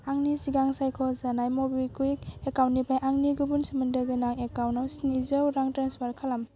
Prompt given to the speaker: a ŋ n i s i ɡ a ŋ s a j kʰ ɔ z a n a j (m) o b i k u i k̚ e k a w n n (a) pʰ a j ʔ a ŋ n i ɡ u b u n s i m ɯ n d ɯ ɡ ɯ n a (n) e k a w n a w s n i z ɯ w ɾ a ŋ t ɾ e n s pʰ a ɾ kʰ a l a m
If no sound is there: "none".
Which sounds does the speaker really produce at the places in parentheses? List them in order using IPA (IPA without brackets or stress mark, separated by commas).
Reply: m, i, ŋ